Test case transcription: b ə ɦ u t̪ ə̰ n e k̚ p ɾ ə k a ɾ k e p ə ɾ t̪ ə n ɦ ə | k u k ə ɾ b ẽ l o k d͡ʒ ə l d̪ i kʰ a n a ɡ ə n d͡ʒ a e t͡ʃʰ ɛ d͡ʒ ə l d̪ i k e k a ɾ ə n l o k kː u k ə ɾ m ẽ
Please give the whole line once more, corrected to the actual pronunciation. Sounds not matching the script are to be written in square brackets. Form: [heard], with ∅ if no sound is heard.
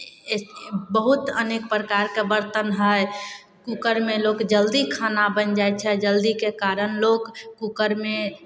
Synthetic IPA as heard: b ə ɦ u t̪ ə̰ n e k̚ p ɾ ə k a ɾ k e [b] ə ɾ t̪ ə n ɦ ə | k u k ə ɾ [m] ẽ l o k d͡ʒ ə l d̪ i kʰ a n a [b] ə n d͡ʒ a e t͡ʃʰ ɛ d͡ʒ ə l d̪ i k e k a ɾ ə n l o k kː u k ə ɾ m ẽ